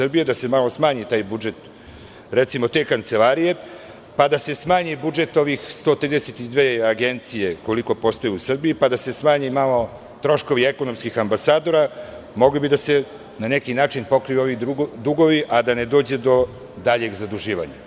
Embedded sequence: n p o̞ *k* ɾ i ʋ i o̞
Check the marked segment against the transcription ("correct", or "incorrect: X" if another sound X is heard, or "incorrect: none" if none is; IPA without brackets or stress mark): correct